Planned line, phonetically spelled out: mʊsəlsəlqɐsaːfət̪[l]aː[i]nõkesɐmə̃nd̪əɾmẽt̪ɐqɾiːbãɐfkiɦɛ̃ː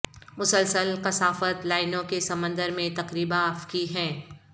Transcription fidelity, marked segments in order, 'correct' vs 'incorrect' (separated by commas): correct, incorrect